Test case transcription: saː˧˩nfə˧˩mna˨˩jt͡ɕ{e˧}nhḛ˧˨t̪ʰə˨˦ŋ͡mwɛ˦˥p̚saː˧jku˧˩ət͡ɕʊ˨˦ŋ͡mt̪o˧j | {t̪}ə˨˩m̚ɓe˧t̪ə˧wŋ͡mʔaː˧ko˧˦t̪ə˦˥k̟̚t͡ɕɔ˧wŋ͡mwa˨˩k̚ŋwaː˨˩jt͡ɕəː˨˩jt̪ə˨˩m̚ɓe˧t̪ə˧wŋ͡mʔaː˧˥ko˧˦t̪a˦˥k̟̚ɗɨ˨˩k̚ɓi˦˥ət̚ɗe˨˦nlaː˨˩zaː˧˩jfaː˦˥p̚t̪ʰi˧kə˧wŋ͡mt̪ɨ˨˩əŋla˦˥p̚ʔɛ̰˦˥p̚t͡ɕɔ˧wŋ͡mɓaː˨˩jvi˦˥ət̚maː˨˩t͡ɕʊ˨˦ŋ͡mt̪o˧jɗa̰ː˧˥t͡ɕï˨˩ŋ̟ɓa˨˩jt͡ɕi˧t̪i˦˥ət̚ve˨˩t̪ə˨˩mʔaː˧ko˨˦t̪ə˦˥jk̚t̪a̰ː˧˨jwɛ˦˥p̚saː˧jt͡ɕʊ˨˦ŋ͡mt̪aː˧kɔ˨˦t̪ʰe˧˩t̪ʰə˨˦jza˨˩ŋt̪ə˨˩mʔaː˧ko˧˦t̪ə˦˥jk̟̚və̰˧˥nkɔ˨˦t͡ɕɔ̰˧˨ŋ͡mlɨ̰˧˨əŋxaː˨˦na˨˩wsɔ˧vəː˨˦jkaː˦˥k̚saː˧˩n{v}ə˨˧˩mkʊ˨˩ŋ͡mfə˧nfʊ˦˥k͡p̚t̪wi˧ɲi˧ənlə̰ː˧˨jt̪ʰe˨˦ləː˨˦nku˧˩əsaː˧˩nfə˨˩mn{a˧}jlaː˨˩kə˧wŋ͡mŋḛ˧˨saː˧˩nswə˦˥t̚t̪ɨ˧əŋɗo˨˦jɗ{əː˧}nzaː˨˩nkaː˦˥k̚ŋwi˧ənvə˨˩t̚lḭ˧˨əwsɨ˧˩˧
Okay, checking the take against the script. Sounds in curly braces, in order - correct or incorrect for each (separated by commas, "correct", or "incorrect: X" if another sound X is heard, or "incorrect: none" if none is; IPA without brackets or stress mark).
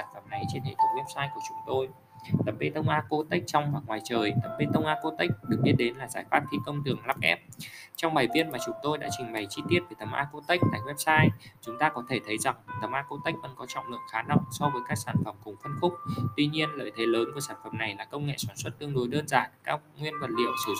correct, correct, incorrect: f, incorrect: a˨˩, correct